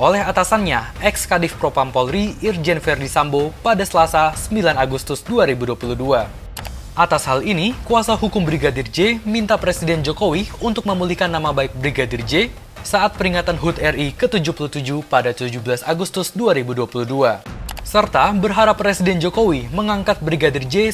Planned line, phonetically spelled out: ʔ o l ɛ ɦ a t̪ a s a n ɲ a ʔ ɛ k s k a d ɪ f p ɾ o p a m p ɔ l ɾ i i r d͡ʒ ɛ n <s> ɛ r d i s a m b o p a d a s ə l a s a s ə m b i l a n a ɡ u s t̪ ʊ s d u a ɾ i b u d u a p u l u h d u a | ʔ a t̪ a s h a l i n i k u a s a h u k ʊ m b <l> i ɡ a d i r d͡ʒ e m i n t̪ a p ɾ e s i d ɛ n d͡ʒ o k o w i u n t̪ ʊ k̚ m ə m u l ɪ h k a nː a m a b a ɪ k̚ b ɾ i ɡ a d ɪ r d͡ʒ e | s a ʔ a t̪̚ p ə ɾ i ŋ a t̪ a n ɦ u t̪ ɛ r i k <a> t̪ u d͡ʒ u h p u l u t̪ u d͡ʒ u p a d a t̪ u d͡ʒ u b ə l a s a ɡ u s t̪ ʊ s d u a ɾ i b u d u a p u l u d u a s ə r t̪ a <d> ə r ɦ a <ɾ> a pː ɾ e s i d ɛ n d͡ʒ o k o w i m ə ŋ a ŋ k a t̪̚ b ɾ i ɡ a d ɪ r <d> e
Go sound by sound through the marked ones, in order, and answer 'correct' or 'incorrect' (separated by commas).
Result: incorrect, incorrect, incorrect, incorrect, correct, incorrect